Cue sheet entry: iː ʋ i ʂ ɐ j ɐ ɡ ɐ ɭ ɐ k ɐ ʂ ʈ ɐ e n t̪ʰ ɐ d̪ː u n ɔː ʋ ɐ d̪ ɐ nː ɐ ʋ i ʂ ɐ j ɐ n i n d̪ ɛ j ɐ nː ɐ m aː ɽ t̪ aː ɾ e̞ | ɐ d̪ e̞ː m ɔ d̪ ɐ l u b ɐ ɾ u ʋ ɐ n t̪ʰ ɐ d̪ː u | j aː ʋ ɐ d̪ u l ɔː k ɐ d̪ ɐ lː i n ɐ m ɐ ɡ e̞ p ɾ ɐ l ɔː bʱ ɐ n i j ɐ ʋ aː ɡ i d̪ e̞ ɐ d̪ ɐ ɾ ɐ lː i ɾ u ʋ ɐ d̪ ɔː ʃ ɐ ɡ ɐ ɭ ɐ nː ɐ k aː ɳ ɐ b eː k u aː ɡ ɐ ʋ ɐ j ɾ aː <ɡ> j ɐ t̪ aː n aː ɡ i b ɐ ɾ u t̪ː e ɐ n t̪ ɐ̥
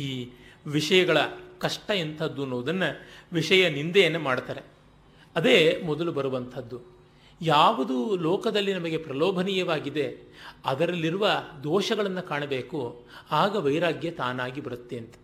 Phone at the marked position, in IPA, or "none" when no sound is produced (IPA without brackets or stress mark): ɡ